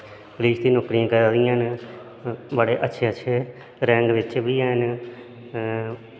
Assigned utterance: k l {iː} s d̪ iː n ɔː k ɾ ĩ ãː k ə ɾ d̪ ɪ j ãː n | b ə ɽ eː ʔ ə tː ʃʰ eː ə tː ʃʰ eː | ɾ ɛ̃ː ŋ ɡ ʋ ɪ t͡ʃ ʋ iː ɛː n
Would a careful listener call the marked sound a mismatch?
no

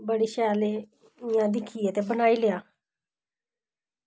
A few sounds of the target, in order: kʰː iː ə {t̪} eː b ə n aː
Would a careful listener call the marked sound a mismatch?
no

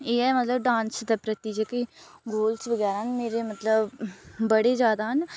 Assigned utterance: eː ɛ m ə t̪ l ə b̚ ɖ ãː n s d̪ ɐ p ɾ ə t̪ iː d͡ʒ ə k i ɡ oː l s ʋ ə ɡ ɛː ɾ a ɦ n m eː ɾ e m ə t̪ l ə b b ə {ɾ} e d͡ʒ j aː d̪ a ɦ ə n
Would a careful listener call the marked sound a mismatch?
yes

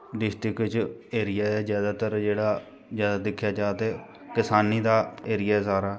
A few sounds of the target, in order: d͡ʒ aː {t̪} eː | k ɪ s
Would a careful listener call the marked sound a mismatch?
no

